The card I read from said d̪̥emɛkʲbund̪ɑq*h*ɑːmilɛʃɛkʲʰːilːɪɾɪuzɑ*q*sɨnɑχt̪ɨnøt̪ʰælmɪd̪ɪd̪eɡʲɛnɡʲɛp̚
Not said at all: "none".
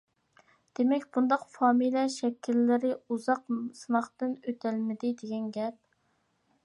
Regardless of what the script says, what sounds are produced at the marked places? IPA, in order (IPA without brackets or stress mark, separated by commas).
f, q